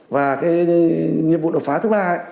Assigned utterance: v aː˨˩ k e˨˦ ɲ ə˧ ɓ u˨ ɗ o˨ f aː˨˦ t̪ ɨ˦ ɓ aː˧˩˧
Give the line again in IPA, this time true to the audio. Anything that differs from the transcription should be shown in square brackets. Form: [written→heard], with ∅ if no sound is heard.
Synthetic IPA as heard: v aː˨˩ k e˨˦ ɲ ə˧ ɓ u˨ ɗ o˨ f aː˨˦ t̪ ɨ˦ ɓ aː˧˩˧